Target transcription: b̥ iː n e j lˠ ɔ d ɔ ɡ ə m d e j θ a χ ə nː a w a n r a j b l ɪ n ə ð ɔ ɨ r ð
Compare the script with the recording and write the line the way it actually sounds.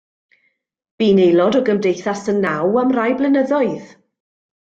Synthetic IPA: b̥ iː n e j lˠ ɔ d ɔ ɡ ə m d e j θ a s ə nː a w a m r a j b l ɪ n ə ð ɔ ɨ ð

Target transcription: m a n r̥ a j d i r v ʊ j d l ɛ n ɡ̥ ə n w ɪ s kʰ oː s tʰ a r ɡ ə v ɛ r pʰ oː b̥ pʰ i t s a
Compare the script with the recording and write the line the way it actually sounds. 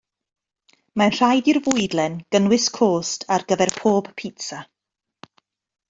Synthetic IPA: m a n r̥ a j d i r v ʊ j d l ɛ n ɡ̥ ə n w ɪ s kʰ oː s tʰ a r ɡ ə v ɛ r pʰ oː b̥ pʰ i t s a

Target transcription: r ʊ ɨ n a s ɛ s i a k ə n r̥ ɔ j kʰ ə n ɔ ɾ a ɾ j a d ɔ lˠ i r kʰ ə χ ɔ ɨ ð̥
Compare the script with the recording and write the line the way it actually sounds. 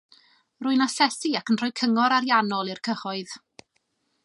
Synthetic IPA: r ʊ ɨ n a s ɛ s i a k ə n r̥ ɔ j kʰ ə ŋ ɔ ɾ a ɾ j a n ɔ lˠ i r kʰ ə χ ɔ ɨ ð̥

